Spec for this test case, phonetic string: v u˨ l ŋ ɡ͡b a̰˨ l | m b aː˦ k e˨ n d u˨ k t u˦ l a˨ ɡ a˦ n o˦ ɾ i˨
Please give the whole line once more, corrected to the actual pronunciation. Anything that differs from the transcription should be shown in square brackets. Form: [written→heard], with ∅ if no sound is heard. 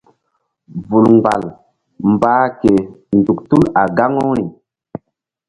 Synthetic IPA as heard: v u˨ l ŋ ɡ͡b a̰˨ l | m b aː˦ k e˨ n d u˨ k t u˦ l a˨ ɡ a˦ [n→ŋ] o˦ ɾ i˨